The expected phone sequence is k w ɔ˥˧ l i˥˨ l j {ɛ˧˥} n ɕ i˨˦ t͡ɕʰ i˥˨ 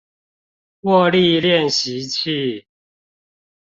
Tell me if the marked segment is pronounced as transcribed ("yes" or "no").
no